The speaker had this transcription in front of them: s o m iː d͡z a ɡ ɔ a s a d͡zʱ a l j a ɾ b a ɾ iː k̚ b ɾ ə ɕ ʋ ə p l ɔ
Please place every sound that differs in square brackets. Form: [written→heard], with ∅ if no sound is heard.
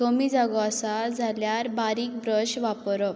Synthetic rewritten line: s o m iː d͡z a ɡ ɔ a s a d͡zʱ a l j a ɾ b a ɾ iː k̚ b ɾ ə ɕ ʋ [ə→a] p [l→ɾ] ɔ